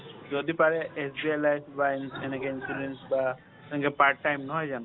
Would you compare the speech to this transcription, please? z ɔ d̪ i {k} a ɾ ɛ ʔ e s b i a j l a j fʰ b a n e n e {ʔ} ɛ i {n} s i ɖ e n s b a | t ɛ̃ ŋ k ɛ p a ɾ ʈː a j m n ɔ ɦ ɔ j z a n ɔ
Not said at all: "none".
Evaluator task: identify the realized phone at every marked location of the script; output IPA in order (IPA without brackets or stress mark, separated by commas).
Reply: p, k, n